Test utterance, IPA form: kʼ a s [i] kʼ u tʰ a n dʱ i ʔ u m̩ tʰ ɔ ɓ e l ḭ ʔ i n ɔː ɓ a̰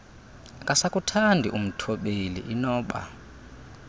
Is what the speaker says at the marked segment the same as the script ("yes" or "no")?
no